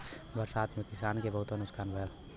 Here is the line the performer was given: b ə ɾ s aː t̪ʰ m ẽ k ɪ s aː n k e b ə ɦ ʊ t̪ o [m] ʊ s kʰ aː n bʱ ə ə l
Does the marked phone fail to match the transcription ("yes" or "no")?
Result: yes